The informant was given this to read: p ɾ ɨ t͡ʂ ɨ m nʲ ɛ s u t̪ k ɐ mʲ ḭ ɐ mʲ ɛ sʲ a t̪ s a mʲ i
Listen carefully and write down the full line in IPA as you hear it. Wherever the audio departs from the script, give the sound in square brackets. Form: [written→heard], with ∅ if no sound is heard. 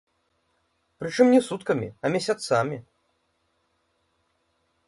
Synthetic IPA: p ɾ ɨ t͡ʂ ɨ m nʲ ɛ s u t̪ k ɐ mʲ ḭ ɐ mʲ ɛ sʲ a t̪ s a mʲ i